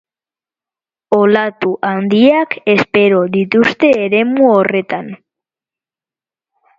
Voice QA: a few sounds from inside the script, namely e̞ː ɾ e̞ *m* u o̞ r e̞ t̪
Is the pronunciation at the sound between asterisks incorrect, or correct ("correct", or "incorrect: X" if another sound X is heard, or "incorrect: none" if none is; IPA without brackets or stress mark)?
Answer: correct